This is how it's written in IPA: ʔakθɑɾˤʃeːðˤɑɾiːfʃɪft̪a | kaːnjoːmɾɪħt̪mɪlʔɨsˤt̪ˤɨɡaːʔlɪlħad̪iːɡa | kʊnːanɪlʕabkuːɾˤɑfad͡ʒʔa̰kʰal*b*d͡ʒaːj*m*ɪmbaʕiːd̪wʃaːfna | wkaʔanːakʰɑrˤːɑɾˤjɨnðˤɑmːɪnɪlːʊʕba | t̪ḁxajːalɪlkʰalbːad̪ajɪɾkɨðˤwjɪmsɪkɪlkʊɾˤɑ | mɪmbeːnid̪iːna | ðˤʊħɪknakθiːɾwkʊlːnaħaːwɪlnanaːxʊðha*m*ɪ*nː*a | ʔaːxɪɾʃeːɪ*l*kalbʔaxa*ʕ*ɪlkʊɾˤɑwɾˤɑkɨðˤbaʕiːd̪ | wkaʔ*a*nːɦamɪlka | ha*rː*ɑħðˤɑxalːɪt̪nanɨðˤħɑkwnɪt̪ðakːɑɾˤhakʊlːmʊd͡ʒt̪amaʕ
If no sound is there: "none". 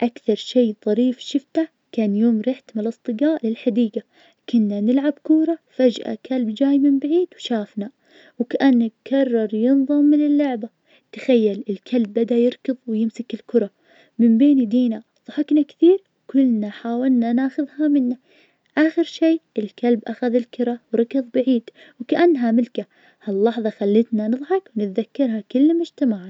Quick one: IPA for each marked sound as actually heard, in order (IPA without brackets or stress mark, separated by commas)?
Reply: b, m, m, nː, l, ð, a, lː